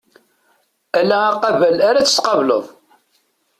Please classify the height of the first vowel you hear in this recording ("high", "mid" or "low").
low